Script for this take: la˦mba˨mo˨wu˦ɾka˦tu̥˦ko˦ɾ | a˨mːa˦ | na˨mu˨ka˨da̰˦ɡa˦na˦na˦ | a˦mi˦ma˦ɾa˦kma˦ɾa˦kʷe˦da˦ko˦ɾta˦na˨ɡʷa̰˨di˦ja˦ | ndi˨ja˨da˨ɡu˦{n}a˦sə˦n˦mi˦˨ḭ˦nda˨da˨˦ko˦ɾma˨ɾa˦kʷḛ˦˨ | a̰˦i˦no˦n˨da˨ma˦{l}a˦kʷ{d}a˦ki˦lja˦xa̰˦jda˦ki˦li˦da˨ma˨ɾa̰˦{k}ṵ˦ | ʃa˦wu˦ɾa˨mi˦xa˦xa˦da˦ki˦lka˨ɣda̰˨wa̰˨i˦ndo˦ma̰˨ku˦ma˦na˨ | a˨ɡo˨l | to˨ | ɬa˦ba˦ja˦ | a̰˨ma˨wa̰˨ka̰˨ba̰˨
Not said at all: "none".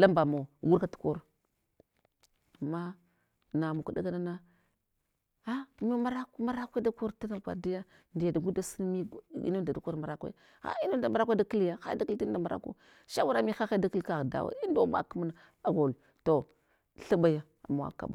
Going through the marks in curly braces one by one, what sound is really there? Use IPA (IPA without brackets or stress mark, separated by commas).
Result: d, ɾ, d, k